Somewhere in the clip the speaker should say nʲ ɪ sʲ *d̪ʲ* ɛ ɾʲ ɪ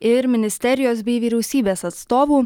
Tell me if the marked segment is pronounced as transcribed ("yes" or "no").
no